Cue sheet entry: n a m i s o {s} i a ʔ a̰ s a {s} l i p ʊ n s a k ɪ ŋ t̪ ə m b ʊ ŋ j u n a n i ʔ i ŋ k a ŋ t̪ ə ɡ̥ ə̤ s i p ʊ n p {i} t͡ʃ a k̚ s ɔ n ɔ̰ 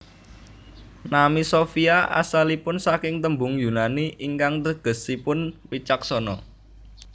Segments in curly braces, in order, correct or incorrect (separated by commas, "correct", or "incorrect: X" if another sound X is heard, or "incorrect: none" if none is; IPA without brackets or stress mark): incorrect: f, incorrect: none, correct